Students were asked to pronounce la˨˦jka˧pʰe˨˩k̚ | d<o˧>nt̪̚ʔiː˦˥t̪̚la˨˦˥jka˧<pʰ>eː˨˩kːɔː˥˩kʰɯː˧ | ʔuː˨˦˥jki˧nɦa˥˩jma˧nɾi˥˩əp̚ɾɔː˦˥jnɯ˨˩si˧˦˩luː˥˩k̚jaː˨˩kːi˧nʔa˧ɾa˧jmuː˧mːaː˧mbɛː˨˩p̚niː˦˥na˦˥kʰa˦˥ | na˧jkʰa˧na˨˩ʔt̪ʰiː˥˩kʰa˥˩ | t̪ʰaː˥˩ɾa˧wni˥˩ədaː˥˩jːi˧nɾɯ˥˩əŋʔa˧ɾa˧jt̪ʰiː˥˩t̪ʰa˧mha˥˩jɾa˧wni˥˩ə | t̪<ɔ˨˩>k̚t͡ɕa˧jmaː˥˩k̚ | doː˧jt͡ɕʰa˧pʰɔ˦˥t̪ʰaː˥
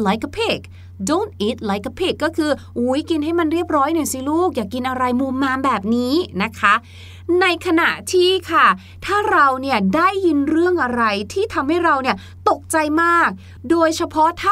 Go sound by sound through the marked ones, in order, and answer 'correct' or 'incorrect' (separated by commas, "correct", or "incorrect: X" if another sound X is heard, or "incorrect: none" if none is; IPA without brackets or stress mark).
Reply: incorrect: o˥˩, correct, incorrect: o˨˩